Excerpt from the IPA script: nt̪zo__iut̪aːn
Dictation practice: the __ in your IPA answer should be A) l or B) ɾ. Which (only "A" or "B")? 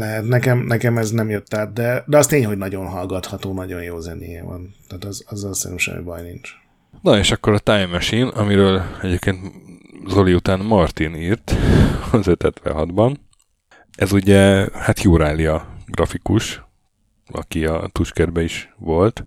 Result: A